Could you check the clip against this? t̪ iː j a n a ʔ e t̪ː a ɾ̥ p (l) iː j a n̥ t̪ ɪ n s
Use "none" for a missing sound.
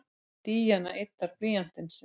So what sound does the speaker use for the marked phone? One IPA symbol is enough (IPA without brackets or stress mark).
l